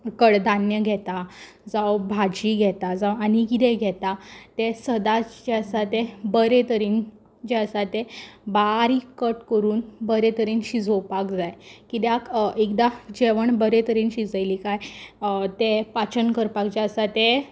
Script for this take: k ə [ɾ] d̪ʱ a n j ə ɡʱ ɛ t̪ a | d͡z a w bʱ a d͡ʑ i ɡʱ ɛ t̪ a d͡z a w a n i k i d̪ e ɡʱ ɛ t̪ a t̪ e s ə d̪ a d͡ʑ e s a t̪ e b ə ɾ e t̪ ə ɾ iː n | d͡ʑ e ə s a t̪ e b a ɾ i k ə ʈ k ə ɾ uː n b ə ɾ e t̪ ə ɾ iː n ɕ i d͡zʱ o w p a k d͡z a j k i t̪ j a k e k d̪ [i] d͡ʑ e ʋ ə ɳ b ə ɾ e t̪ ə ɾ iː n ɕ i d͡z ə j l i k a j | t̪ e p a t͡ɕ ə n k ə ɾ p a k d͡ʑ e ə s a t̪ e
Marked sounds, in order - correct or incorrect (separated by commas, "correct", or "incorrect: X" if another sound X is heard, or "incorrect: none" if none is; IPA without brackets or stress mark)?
incorrect: ɽ, incorrect: a